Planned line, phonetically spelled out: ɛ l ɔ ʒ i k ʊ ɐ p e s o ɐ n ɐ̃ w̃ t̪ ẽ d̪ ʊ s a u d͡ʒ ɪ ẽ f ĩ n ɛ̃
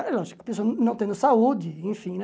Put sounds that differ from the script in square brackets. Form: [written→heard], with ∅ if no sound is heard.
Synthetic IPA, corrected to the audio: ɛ l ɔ ʒ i k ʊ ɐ p e s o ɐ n ɐ̃ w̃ t̪ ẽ d̪ ʊ s a u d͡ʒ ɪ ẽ f ĩ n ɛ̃